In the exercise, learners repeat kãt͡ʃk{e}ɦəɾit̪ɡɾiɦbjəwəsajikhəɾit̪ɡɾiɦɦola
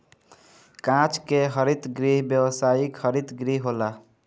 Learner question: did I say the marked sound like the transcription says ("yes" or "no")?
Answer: yes